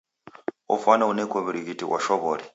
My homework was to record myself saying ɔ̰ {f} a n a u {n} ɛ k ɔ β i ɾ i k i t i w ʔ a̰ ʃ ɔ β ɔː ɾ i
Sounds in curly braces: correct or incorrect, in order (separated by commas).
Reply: correct, correct